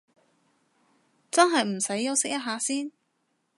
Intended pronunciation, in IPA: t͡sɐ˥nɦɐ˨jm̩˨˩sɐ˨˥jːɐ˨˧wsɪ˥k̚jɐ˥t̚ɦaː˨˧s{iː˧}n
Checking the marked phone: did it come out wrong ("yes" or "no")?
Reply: yes